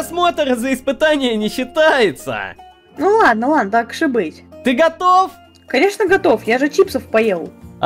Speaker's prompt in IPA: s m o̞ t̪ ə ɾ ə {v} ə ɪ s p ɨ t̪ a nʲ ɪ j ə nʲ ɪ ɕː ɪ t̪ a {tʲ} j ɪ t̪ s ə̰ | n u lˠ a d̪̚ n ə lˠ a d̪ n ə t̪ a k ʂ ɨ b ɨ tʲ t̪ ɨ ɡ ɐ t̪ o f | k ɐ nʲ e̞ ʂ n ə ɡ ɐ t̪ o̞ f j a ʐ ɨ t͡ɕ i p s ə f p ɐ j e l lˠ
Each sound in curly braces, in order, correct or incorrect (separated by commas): incorrect, incorrect